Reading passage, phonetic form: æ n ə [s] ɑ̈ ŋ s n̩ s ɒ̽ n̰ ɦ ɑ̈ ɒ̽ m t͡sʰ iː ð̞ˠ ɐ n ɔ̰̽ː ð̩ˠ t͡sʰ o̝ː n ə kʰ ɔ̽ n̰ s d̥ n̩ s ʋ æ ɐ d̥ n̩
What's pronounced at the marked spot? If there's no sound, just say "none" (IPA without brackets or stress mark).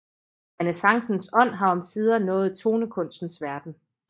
s